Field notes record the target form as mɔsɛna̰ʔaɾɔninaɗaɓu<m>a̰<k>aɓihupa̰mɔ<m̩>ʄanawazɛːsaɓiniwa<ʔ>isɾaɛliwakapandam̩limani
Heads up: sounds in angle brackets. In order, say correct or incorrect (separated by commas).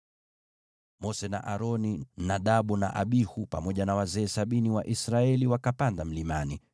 incorrect, incorrect, incorrect, correct